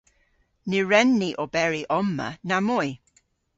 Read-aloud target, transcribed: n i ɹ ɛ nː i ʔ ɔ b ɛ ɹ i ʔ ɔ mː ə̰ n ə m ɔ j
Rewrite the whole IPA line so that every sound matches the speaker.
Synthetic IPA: n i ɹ ɛ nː i ʔ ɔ b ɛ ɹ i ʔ ɔ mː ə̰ n a m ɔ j